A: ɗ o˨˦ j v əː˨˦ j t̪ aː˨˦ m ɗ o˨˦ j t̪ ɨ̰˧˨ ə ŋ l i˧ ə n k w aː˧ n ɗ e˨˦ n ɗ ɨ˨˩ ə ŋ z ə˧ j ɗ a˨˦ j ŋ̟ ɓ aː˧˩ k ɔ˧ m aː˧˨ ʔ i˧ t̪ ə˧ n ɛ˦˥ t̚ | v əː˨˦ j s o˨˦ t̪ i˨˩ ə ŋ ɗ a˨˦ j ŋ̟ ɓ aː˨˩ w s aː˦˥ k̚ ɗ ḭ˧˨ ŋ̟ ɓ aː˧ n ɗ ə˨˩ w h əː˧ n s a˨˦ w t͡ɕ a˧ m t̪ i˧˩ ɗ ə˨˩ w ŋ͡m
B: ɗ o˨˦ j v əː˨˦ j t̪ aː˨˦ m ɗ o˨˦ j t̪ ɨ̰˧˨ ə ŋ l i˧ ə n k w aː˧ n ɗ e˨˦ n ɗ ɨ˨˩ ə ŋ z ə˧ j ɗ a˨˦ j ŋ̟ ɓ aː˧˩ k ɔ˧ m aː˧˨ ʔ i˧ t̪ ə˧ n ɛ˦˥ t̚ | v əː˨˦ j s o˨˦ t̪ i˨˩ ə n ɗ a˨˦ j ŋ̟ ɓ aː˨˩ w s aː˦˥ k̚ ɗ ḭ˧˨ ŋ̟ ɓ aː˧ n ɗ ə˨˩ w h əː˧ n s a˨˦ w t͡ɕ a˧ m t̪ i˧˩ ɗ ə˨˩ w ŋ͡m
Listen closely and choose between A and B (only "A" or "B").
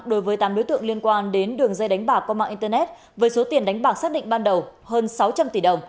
B